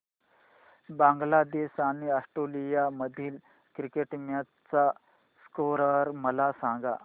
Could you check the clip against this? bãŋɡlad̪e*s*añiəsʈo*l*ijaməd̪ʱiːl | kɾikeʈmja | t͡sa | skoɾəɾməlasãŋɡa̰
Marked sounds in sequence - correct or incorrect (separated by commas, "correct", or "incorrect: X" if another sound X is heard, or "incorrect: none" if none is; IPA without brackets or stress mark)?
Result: correct, correct